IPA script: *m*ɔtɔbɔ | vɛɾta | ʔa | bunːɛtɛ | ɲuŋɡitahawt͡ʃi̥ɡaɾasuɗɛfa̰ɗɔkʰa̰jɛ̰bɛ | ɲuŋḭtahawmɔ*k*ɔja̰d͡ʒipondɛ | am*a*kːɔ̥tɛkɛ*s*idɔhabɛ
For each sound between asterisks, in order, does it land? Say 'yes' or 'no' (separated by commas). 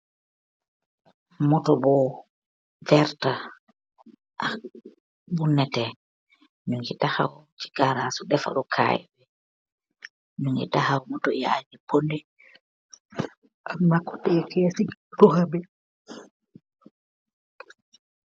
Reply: yes, no, yes, yes